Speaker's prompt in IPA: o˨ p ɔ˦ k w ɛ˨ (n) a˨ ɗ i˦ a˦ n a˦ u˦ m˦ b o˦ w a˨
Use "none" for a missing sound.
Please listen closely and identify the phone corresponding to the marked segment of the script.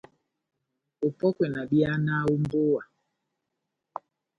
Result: n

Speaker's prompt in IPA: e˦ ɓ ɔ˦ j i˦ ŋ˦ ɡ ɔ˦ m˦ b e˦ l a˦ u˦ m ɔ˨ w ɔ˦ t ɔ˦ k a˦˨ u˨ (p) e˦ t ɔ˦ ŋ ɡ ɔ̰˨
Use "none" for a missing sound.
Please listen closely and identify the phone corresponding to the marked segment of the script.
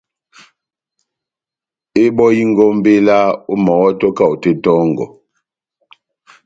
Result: t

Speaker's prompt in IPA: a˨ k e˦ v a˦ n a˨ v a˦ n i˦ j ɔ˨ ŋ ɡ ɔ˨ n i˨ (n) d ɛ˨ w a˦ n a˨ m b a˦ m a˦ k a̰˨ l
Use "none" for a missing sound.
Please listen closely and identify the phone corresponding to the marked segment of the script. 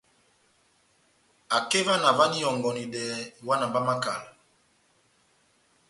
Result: none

